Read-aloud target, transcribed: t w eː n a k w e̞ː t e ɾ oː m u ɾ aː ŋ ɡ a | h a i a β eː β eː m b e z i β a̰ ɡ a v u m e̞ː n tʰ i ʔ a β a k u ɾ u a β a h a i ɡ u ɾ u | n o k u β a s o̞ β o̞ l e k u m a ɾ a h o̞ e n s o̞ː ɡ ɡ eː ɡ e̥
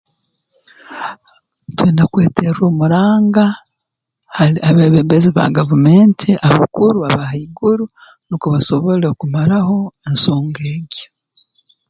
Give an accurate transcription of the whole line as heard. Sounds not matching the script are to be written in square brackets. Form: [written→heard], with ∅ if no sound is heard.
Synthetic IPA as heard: t w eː n a k w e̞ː t e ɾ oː m u ɾ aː ŋ ɡ a | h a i a β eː β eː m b e z i β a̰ ɡ a v u m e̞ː n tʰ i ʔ a β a k u ɾ u a β a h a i ɡ u ɾ u | n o k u β a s o̞ β o̞ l e k u m a ɾ a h o̞ e n s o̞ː [ɡ→ŋ] ɡ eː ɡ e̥